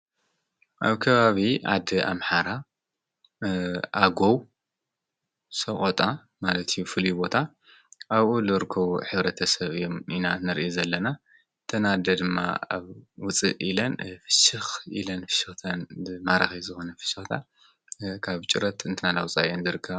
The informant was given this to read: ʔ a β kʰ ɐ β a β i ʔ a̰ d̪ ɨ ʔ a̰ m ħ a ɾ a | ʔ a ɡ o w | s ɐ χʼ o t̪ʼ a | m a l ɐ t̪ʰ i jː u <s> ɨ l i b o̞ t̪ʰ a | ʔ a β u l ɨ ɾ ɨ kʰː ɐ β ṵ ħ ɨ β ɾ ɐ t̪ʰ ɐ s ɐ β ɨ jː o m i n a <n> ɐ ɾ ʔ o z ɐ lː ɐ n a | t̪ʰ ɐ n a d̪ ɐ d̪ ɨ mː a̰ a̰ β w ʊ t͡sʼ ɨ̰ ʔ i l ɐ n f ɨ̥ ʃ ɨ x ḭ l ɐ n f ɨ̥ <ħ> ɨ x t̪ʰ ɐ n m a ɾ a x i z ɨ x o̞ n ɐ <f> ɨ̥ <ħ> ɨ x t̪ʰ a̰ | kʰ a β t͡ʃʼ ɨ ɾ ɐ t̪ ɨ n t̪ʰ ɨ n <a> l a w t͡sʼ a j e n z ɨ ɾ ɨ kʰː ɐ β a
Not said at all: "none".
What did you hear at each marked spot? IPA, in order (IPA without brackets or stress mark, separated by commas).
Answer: f, n, ʃ, f, ʃ, a